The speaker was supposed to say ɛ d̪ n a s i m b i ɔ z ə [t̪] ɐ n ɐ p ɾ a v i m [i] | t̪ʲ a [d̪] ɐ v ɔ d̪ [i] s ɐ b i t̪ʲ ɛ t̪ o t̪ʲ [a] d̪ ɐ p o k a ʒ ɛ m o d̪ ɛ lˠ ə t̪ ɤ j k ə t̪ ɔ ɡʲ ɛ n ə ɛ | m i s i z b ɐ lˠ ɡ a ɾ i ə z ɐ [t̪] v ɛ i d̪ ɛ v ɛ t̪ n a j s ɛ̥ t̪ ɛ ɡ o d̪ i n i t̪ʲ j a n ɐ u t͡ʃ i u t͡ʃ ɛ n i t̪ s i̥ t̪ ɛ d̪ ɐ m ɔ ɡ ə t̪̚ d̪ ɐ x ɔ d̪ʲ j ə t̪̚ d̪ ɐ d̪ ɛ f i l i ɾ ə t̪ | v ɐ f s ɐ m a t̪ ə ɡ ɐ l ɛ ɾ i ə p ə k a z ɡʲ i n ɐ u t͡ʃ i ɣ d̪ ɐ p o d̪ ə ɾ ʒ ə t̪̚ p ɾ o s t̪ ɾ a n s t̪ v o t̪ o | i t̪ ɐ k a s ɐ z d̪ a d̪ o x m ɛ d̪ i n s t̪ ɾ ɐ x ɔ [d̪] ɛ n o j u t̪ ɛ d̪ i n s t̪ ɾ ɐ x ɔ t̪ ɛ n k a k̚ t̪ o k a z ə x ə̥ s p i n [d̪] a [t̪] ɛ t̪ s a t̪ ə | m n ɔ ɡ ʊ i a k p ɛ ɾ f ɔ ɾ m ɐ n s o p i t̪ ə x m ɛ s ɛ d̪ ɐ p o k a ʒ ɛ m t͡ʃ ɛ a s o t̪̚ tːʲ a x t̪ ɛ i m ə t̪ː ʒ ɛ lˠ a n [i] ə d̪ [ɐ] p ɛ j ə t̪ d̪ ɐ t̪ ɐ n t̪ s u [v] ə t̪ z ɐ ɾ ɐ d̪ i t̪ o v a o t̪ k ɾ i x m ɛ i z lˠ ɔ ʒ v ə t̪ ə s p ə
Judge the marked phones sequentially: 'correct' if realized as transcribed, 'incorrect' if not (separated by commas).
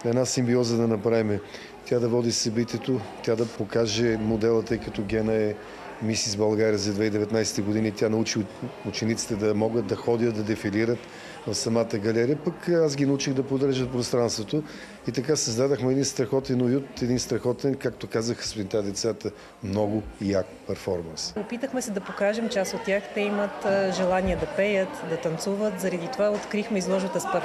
incorrect, incorrect, correct, correct, correct, incorrect, incorrect, incorrect, incorrect, correct, correct, correct